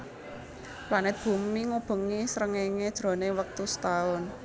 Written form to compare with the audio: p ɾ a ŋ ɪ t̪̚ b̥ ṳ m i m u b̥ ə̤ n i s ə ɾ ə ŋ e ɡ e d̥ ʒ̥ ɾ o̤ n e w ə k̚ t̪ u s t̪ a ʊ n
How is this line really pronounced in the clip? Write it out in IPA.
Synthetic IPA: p l a n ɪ t̪̚ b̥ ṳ m i ŋ u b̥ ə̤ ŋ i s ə ɾ ə ŋ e ŋ e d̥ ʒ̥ ɾ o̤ n e w ə k̚ t̪ u s t̪ a ʊ n